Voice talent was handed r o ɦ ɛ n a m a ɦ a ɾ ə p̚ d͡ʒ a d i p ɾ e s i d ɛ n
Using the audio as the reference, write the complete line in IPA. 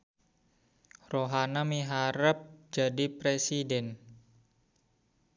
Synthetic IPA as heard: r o ɦ a n a m i ɦ a ɾ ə p̚ d͡ʒ a d i p ɾ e s i d ɛ n